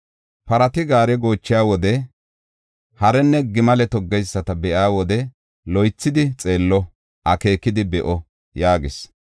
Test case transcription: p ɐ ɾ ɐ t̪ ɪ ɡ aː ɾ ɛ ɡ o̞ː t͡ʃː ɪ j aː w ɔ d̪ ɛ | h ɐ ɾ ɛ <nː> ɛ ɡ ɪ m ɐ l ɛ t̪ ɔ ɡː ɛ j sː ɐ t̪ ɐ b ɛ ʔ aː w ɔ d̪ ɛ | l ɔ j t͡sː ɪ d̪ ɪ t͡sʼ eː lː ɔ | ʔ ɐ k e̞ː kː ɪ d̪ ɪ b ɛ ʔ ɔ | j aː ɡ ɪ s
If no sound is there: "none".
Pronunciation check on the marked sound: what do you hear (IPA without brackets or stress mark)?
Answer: nː